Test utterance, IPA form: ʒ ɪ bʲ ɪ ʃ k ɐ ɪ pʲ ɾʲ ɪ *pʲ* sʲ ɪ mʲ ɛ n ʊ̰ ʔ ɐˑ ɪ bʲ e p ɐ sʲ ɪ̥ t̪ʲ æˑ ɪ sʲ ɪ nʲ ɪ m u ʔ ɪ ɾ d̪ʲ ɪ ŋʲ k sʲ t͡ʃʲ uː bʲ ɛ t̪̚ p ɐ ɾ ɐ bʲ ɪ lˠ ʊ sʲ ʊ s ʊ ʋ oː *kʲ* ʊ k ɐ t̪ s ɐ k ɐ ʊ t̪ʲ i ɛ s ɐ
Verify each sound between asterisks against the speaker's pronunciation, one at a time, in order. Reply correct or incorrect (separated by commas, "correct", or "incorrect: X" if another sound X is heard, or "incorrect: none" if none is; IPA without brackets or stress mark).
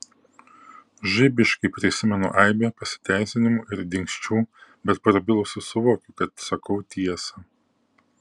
incorrect: none, correct